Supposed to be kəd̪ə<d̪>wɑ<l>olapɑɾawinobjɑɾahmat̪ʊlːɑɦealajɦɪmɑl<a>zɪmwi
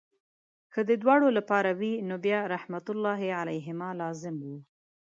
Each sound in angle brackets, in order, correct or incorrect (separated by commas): correct, incorrect, incorrect